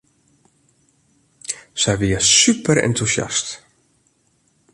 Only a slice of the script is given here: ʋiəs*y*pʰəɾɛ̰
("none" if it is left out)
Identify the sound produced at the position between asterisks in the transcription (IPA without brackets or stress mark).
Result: y